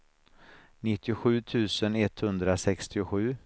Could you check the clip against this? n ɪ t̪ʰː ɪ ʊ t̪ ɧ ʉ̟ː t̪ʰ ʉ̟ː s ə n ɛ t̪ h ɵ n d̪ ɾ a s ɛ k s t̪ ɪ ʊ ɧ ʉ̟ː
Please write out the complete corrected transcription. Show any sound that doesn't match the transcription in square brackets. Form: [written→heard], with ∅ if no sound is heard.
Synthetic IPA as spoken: n ɪ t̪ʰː ɪ ʊ [t̪→∅] ɧ ʉ̟ː t̪ʰ ʉ̟ː s ə n ɛ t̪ h ɵ n d̪ ɾ a s ɛ k s t̪ ɪ ʊ ɧ ʉ̟ː